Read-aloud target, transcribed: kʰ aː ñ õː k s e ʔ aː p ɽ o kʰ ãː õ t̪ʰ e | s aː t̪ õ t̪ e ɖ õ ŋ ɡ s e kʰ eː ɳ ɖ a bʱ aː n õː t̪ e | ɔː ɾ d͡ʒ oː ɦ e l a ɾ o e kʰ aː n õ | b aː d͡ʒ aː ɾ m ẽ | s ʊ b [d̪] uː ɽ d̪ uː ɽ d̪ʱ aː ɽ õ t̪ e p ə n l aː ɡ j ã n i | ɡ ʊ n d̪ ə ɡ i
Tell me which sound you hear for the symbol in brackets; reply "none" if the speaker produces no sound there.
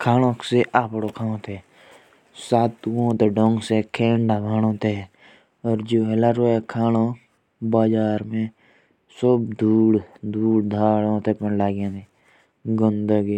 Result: d̪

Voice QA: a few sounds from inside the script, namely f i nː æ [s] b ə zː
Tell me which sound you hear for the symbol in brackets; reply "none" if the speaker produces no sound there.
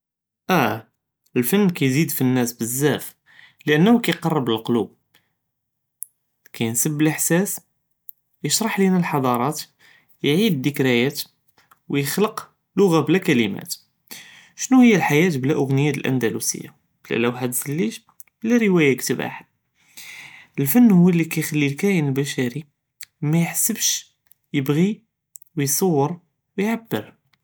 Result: s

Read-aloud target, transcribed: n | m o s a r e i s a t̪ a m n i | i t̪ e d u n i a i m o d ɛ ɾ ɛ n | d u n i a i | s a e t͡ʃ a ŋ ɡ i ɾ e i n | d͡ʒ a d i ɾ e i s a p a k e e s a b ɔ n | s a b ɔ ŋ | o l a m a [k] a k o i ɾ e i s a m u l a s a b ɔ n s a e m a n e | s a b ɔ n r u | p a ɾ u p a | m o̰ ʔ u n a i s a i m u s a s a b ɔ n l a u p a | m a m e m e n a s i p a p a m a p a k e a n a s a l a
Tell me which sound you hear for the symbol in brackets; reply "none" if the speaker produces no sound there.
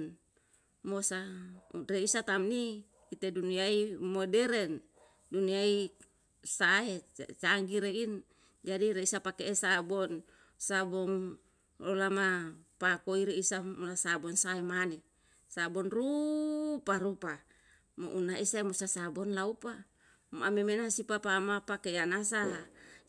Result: p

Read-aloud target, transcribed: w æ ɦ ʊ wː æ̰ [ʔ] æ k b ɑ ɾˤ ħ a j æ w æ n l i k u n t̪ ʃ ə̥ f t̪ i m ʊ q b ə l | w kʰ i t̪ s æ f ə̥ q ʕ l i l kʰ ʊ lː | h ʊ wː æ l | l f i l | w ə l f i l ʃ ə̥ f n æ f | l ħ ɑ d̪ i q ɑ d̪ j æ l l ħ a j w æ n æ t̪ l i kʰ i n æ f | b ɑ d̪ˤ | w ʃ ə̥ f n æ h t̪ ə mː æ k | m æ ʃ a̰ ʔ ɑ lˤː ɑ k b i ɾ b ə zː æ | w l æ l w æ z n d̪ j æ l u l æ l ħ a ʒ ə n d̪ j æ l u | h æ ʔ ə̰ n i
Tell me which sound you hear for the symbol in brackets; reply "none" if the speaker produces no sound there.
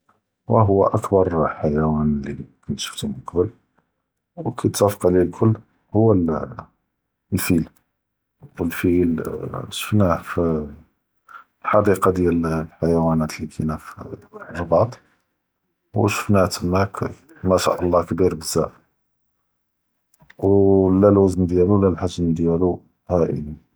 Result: ʔ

